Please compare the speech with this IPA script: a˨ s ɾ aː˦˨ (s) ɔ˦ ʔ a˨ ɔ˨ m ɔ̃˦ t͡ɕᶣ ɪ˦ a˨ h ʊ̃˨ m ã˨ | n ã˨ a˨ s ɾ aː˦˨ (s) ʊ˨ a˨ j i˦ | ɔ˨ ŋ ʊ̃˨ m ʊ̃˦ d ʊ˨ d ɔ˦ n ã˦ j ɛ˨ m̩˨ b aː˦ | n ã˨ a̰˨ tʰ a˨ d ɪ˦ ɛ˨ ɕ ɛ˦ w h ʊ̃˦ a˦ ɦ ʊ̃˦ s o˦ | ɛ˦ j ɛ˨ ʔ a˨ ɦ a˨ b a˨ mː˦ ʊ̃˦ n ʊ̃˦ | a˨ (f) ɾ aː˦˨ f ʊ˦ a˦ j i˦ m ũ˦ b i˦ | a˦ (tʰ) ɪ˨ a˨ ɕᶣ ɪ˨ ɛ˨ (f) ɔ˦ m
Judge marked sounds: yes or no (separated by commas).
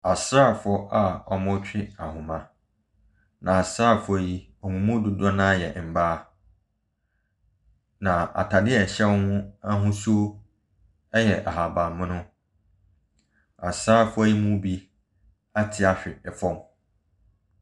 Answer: no, no, no, yes, yes